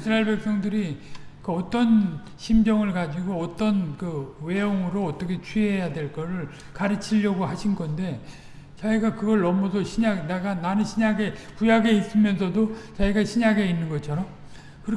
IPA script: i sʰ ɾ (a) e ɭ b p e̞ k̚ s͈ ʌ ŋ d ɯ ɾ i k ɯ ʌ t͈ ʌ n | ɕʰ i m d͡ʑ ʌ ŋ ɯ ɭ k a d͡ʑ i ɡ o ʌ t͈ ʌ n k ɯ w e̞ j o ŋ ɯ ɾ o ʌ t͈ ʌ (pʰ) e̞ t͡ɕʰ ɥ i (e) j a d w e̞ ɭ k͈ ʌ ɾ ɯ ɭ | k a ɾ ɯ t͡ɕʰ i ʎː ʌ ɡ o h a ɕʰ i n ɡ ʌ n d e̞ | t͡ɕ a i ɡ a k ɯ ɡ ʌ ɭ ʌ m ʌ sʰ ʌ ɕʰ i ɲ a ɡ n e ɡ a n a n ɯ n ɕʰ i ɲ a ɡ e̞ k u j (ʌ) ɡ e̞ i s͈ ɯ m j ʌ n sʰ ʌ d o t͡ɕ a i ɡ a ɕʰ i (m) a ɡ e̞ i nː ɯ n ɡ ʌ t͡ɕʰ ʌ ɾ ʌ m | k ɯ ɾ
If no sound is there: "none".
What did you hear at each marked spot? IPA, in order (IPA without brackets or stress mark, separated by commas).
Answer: a, kʰ, e, a, ɲ